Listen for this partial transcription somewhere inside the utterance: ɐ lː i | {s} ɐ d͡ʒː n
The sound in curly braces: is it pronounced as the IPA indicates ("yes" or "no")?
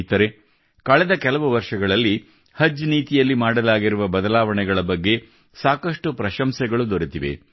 no